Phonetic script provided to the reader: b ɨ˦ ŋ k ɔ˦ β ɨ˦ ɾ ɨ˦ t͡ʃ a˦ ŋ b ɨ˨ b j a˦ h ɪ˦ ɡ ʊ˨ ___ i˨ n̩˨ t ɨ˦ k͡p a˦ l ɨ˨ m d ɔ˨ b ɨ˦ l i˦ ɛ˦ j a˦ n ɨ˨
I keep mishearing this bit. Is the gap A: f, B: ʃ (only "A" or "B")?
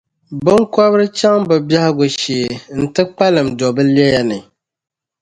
B